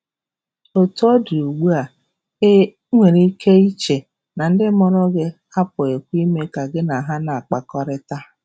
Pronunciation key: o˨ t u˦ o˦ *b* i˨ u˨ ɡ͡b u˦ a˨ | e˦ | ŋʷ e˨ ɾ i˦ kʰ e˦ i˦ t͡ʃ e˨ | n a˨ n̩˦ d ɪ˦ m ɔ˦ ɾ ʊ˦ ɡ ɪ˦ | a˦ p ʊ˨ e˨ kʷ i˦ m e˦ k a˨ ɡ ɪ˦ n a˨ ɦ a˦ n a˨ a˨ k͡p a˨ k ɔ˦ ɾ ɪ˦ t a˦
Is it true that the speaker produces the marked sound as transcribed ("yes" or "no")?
no